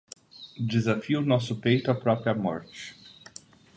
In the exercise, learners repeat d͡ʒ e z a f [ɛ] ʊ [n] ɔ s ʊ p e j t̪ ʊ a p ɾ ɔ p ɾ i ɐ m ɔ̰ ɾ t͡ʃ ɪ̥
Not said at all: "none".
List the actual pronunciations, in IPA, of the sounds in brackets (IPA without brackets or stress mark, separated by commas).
i, n